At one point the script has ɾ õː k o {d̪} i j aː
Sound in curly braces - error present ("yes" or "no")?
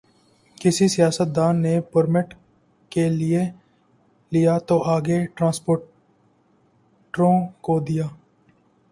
no